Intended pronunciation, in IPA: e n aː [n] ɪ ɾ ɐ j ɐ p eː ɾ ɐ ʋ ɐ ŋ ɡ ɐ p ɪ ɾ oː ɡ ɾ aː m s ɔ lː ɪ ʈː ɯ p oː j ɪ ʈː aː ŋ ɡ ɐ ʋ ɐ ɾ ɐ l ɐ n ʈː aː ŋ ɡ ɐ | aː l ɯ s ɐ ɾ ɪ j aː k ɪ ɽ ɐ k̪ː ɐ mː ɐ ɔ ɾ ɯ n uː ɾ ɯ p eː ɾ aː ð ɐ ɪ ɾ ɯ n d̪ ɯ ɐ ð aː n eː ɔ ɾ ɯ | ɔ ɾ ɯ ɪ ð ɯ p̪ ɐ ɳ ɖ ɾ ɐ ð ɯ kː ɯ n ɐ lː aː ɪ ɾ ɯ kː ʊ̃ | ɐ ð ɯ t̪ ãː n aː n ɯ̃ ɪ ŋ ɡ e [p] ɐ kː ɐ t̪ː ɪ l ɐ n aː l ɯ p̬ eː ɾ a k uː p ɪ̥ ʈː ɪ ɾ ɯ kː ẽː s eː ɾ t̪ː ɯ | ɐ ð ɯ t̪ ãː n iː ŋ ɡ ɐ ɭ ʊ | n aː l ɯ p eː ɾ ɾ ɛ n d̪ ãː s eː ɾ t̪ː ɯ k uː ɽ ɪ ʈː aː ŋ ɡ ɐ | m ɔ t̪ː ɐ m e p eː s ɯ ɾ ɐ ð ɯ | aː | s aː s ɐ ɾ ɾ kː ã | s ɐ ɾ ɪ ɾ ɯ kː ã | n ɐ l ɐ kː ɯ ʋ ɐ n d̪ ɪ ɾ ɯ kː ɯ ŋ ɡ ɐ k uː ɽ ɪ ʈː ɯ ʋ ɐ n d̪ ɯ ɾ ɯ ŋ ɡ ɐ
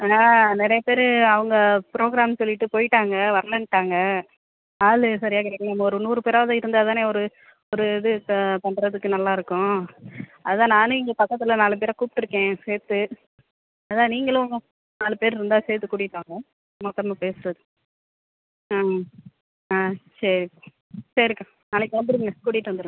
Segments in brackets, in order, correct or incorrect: correct, correct

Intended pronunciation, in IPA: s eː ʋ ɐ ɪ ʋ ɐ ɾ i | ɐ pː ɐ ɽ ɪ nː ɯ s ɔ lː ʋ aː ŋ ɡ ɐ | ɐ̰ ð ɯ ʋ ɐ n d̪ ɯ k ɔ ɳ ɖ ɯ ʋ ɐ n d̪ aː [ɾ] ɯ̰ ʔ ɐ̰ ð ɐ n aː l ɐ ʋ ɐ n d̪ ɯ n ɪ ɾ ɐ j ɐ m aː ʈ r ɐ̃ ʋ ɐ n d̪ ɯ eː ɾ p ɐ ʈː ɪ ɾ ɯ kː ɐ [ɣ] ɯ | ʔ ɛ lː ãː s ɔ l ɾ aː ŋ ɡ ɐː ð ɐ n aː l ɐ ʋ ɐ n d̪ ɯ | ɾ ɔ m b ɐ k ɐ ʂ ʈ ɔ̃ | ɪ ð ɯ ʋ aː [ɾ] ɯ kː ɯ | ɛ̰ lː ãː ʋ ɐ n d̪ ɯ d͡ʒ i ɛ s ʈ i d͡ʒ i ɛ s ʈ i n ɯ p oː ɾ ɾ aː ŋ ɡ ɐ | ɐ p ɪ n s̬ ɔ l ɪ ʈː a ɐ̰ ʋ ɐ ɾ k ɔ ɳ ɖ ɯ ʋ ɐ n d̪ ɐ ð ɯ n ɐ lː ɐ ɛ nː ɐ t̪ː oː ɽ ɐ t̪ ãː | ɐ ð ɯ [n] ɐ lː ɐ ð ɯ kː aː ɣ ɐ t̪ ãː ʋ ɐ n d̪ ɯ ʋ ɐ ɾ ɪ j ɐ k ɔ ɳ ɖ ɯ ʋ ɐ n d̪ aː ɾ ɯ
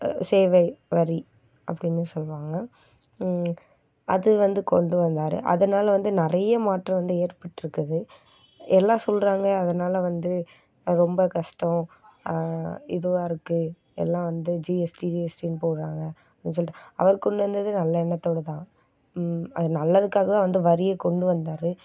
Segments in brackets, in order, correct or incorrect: correct, incorrect: ð, correct, correct

